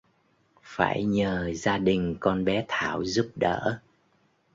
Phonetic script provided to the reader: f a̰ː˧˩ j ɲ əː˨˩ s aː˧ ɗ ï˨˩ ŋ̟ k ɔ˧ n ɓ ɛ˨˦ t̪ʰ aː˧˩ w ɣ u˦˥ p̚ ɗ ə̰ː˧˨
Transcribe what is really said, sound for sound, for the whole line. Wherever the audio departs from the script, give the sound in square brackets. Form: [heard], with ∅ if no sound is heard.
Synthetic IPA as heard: f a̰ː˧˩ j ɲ əː˨˩ [z] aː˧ ɗ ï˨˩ ŋ̟ k ɔ˧ n ɓ ɛ˨˦ t̪ʰ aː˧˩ w [z] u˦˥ p̚ ɗ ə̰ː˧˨